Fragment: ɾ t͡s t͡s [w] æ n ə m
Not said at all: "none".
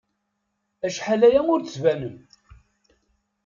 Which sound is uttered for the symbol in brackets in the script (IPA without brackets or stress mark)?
v